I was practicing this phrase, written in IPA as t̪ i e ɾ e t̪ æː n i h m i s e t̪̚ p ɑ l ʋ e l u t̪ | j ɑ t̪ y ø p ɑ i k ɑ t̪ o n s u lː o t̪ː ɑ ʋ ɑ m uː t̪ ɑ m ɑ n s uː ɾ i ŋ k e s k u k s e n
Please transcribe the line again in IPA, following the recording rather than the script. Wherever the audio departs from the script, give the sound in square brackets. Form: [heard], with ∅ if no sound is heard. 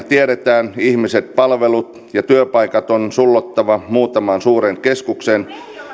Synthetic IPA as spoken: t̪ i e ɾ e t̪ æː n i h m i s e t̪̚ p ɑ l ʋ e l u t̪ | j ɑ t̪ y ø p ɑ i k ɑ t̪ o n s u lː o t̪ː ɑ ʋ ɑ m uː t̪ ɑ m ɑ n s uː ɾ [e] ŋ k e s k u k s e n